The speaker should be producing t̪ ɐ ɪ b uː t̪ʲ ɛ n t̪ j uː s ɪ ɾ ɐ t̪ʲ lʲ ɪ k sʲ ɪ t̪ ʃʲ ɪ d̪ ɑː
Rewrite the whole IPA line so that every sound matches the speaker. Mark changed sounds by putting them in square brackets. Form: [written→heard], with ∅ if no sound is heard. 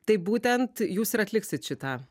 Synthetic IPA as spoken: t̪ ɐ ɪ b uː t̪ʲ ɛ n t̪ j uː s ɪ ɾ ɐ t̪ʲ lʲ ɪ k sʲ ɪ t̪ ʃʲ ɪ [d̪→t̪] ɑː